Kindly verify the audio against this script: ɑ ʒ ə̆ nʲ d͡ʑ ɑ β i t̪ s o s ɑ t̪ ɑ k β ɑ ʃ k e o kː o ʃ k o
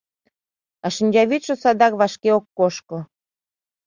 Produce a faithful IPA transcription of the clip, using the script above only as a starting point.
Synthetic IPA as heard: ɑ ʃ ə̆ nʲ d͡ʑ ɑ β i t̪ ʃ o s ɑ d̪ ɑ k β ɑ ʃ k e o kː o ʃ k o